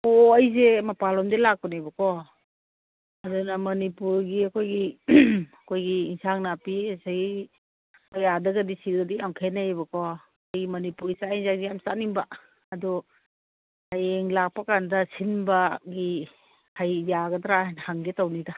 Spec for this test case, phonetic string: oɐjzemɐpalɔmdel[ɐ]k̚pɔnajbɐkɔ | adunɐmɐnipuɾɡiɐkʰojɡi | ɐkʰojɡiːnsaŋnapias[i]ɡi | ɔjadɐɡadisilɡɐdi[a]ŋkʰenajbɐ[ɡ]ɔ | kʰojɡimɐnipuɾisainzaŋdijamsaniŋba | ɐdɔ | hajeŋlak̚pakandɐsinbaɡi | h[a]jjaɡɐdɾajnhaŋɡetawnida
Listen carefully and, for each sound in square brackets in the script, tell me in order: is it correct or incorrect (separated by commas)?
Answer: incorrect, incorrect, correct, incorrect, correct